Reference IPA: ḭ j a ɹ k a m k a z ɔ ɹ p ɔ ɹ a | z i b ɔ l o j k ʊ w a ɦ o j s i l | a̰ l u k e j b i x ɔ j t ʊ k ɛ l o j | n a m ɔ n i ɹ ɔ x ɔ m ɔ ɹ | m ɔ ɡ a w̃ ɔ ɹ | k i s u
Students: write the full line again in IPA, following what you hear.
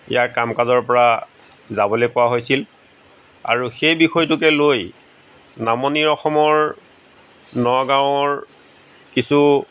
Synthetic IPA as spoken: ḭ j a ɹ k a m k a z ɔ ɹ p ɔ ɹ a | z a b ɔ l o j k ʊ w a ɦ o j s i l | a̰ ɹ u x e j b i x ɔ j t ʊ k ɛ l o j | n a m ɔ n i ɹ ɔ x ɔ m ɔ ɹ | n ɔ ɡ a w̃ ɔ ɹ | k i s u